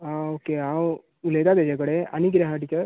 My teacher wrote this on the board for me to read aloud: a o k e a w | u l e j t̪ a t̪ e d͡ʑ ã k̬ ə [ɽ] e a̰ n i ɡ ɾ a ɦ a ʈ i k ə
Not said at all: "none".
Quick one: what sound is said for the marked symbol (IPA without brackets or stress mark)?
ɽ